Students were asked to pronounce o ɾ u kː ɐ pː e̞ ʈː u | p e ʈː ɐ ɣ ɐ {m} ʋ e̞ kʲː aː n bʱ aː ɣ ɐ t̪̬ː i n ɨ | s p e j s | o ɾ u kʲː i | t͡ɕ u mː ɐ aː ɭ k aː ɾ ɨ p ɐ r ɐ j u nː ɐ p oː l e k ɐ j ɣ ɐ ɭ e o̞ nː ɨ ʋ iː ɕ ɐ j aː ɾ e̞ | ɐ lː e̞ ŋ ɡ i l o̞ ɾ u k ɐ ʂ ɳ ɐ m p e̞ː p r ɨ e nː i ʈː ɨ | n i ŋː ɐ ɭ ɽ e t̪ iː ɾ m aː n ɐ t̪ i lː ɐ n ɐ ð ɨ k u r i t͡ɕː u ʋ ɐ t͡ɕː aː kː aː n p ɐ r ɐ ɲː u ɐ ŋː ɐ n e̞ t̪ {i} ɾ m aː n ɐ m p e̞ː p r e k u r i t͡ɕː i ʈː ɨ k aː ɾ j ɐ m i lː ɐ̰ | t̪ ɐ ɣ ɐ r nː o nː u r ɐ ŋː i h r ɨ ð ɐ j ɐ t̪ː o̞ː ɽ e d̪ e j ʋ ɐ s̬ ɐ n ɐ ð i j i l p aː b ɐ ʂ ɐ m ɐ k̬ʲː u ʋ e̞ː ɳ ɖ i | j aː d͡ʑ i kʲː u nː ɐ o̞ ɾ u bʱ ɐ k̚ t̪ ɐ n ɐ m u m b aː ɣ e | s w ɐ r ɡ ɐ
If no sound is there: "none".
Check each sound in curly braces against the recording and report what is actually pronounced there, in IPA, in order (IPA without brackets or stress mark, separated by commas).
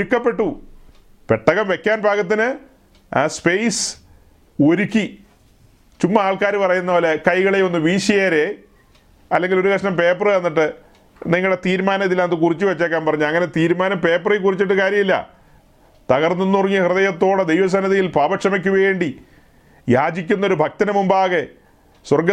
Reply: m, iː